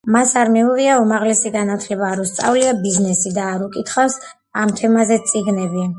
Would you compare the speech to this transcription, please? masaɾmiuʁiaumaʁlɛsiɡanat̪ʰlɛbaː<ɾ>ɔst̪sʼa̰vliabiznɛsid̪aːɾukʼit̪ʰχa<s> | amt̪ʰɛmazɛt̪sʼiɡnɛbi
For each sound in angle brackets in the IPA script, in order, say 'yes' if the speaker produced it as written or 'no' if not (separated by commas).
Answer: yes, yes